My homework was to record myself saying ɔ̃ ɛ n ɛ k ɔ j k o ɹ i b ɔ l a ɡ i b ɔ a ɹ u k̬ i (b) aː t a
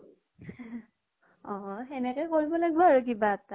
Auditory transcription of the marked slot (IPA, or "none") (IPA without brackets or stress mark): b